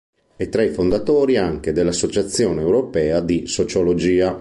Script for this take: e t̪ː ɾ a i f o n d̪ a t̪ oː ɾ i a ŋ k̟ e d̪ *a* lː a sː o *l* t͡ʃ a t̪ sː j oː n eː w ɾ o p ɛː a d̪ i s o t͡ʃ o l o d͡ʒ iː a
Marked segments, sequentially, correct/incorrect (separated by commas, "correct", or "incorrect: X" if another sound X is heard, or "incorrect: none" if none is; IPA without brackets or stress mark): incorrect: e, incorrect: none